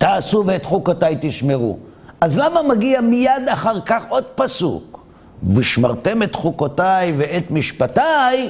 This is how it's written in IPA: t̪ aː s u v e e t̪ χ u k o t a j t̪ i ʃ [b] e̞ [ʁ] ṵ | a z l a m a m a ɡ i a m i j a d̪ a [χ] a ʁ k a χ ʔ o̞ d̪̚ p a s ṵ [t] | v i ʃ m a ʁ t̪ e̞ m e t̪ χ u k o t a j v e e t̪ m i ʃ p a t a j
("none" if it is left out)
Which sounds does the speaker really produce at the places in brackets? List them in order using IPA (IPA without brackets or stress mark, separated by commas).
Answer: m, ʁ, χ, k